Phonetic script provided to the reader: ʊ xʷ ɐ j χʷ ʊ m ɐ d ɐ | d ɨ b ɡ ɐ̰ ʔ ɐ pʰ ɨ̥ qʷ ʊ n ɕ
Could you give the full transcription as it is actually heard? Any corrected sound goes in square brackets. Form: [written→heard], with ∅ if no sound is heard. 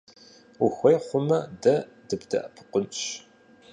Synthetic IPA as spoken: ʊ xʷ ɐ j χʷ ʊ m ɐ d ɐ | d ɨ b [ɡ→d] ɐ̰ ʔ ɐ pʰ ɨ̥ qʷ ʊ n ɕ